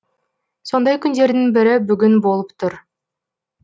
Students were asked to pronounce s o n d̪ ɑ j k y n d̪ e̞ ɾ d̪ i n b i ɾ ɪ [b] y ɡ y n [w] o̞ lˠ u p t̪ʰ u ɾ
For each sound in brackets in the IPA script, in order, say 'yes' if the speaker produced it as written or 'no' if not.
yes, no

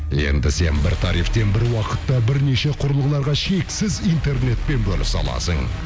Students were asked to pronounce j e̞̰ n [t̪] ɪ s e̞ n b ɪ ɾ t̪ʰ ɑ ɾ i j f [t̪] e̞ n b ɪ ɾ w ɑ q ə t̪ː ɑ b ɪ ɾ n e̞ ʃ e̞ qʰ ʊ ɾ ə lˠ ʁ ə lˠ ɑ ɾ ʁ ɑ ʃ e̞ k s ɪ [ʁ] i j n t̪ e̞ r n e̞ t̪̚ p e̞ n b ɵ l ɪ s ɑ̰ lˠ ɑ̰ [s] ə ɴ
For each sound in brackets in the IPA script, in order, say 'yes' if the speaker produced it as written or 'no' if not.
no, yes, no, yes

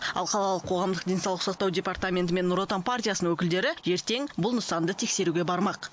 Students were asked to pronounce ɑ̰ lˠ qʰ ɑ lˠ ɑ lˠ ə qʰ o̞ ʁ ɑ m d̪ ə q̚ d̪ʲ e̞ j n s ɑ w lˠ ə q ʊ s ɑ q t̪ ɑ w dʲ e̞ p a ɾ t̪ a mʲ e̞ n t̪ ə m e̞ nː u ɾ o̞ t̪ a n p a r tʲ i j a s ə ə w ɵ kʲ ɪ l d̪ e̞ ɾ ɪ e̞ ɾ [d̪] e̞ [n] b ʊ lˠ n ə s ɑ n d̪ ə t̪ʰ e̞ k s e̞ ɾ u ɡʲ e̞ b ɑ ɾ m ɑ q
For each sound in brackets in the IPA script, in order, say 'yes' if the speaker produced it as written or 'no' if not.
no, no

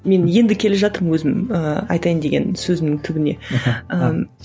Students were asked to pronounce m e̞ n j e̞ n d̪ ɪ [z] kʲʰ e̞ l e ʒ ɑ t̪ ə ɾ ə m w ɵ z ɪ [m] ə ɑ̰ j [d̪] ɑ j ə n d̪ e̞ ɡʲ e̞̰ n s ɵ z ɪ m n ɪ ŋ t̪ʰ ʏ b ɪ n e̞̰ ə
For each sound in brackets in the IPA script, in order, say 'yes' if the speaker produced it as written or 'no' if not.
no, yes, no

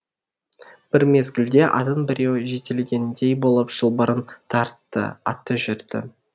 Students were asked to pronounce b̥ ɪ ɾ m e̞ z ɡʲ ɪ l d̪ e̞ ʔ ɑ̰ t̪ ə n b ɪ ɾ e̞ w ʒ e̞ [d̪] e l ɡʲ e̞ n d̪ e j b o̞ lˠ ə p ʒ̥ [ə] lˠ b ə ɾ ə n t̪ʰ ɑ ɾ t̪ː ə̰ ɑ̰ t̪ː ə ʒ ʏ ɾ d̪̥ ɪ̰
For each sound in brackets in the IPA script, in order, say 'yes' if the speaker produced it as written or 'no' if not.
no, yes

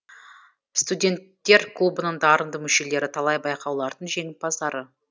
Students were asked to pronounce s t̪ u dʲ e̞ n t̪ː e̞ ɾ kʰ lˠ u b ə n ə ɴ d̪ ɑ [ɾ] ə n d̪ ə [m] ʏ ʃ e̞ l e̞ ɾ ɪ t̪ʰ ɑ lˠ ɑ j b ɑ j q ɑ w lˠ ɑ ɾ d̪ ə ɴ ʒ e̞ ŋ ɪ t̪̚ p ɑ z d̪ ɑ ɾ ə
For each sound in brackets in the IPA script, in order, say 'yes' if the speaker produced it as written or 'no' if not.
yes, yes

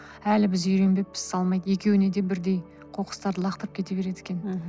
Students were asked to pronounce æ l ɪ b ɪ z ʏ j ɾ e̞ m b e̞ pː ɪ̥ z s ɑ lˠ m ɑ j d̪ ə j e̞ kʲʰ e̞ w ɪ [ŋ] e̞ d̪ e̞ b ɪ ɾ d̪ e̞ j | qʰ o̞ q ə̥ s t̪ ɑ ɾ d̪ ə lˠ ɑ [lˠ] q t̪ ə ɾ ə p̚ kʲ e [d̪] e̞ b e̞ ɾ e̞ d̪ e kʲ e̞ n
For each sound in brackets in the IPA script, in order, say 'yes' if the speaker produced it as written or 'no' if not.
no, no, no

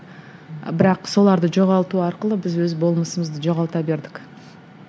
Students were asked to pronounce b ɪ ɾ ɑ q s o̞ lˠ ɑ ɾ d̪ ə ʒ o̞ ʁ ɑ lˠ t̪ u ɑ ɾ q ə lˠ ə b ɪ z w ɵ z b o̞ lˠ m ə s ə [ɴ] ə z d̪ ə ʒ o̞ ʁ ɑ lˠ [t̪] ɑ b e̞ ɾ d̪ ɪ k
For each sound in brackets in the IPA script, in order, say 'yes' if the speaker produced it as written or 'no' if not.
no, yes

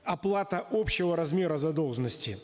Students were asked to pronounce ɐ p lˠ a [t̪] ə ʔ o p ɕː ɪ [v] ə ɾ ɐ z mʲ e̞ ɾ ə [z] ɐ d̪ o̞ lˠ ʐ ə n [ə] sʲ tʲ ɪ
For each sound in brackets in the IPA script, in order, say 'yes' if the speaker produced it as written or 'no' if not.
yes, yes, yes, yes

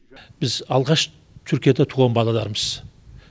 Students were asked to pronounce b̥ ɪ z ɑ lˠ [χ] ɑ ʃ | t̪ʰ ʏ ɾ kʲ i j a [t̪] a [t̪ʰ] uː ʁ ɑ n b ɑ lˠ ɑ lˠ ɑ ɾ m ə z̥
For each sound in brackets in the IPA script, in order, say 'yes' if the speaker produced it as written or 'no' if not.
no, no, yes

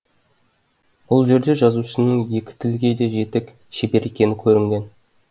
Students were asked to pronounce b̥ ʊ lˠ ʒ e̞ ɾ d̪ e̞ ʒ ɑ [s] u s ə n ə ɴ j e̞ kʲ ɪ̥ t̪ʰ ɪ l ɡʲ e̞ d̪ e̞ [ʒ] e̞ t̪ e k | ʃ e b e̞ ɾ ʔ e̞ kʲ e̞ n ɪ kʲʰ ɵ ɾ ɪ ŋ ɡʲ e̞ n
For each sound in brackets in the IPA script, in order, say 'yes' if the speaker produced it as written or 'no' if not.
no, yes

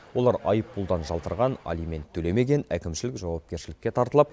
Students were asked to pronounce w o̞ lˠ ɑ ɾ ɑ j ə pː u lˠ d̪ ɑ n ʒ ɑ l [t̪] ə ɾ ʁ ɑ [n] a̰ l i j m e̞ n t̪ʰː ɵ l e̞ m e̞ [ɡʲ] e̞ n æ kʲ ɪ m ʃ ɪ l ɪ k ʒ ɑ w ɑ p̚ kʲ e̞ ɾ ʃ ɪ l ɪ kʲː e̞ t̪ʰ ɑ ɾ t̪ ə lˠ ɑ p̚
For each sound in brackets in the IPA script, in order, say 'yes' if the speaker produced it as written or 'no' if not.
yes, yes, yes

